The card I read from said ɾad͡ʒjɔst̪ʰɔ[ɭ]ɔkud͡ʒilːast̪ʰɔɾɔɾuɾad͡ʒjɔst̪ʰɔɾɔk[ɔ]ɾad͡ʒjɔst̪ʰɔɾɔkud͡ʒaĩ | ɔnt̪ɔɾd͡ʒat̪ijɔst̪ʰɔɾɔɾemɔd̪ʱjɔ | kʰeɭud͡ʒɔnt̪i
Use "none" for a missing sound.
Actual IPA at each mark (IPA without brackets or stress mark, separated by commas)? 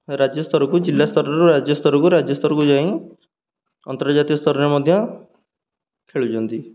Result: ɾ, u